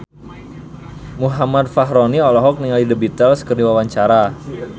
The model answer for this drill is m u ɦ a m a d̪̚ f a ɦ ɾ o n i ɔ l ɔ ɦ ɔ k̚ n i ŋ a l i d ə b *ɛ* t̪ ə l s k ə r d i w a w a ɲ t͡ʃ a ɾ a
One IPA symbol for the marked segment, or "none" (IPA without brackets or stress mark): i